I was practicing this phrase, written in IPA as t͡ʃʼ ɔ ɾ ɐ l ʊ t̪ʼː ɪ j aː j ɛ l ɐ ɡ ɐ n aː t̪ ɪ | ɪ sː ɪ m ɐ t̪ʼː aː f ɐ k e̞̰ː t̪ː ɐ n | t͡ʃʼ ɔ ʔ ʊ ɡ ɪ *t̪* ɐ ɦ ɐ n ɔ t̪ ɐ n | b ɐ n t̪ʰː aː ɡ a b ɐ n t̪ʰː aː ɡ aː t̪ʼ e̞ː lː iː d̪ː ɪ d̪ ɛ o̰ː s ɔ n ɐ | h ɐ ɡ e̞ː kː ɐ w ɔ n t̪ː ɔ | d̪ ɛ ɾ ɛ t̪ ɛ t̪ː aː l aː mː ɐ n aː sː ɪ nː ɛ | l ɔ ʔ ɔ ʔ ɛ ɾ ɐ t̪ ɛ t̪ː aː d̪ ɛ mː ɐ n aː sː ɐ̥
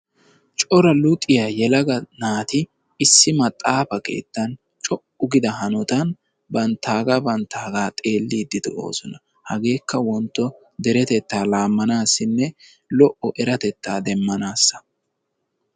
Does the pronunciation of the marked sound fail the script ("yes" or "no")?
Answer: yes